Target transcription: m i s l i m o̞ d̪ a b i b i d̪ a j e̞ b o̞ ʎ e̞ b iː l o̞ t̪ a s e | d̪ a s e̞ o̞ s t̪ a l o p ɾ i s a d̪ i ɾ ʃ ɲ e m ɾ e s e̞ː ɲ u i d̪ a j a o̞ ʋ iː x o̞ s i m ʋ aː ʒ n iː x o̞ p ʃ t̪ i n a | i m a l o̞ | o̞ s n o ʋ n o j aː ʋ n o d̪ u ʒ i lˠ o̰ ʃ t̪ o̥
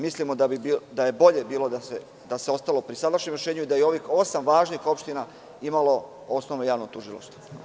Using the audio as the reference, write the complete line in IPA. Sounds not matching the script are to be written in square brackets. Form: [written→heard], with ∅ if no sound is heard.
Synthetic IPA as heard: m i s l i m o̞ d̪ a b i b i d̪ a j e̞ b o̞ ʎ e̞ b iː l o̞ [t̪→d̪] a s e | d̪ a s e̞ o̞ s t̪ a l o p ɾ i s a d̪ [i→a] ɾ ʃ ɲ e m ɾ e [s→ʃ] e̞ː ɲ u i d̪ a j [a→e] o̞ ʋ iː x o̞ s [i→a] m ʋ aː ʒ n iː x o̞ p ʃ t̪ i n a | i m a l o̞ | o̞ s n o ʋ n o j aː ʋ n o [d̪→t̪] u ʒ i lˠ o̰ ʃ t̪ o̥